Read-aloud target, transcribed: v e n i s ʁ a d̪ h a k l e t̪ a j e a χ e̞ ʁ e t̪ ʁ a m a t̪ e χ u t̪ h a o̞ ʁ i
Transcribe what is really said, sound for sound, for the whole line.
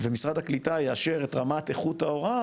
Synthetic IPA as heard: v e m i s ʁ a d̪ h a k l i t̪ a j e a ʃ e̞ ʁ e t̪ ʁ a m a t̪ e χ u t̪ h a o̞ ʁ a